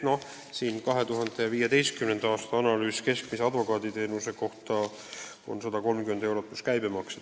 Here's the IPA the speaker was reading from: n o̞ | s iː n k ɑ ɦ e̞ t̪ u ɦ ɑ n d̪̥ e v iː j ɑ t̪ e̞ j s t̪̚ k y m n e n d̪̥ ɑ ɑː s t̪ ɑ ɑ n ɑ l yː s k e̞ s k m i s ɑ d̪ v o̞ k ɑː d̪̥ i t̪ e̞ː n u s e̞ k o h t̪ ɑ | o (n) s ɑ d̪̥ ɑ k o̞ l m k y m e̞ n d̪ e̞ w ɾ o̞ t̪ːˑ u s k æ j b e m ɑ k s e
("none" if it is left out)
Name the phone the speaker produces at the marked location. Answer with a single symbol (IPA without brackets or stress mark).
n